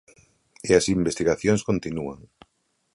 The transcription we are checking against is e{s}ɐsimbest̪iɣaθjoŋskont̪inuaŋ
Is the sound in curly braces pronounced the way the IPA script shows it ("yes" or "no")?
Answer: no